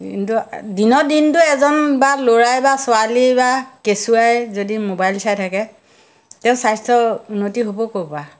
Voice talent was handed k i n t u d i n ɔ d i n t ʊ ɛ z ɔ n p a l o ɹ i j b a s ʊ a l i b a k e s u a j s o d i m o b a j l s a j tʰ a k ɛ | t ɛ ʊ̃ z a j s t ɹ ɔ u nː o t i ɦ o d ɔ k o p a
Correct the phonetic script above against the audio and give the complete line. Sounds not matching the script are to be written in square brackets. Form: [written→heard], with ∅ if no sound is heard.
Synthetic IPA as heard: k i n t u d i n ɔ d i n t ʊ ɛ z ɔ n [p→b] a l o ɹ [i→a] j b a s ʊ a l i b a k e s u a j [s→z] o d i m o b a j l s a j tʰ a k ɛ | t ɛ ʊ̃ [z→s] a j s t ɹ ɔ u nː o t i ɦ o [d→b] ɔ k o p a